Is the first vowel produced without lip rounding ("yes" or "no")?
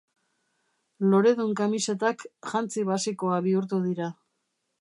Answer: no